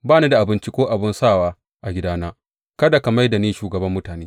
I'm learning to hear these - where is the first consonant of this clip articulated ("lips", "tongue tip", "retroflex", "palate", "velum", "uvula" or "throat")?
lips